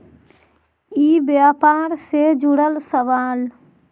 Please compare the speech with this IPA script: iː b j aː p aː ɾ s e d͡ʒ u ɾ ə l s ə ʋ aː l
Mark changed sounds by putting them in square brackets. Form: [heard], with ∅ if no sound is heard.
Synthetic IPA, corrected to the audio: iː b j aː p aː ɾ s e d͡ʒ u [ɽ] ə l s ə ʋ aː l